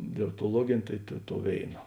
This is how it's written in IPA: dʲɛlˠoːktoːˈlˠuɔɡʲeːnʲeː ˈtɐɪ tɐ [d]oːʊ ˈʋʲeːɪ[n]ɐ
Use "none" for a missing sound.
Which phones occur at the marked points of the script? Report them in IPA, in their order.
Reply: t, n

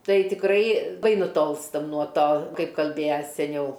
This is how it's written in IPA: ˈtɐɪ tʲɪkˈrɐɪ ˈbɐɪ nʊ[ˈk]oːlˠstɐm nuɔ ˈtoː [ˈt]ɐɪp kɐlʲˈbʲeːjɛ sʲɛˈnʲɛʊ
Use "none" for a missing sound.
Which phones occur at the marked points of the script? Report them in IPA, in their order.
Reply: t, k

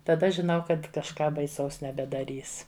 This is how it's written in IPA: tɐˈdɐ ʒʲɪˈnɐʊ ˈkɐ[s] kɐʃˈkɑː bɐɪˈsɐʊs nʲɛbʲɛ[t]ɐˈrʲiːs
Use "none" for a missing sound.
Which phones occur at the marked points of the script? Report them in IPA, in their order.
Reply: t, d

